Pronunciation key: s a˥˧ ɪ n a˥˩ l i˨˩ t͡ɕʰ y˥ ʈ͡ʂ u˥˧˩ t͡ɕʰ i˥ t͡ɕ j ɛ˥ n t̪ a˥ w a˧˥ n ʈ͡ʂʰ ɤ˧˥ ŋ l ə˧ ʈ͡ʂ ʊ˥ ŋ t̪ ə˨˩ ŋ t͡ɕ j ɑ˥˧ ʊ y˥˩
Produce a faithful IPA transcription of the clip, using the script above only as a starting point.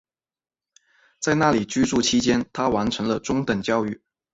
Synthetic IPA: t͡s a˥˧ ɪ n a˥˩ l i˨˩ t͡ɕ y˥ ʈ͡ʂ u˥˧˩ t͡ɕʰ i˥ t͡ɕ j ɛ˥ n t̪ʰ a˥ w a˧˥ n ʈ͡ʂʰ ɤ˧˥ ŋ l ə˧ ʈ͡ʂ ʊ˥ ŋ t̪ ə˨˩ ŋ t͡ɕ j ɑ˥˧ ʊ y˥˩